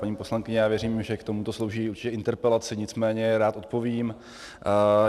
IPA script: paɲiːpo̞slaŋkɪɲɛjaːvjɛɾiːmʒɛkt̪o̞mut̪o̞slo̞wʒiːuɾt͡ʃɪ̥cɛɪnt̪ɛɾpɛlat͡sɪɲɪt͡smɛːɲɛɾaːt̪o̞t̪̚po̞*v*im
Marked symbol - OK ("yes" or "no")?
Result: yes